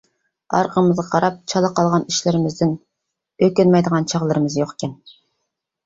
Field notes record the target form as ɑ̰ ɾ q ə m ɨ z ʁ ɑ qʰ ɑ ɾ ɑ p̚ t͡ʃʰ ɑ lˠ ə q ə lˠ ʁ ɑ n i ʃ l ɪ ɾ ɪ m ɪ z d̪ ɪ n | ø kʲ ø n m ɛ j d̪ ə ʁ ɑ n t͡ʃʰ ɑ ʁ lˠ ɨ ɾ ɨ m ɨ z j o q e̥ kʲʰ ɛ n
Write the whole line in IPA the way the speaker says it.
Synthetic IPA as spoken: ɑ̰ ɾ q ə m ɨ z ʁ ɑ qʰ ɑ ɾ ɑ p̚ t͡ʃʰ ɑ lˠ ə q ɑ lˠ ʁ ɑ n i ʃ l ɪ ɾ ɪ m ɪ z d̪ ɪ n | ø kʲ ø n m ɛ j d̪ ə ʁ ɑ n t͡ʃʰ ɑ ʁ lˠ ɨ ɾ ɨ m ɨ z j o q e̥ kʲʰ ɛ n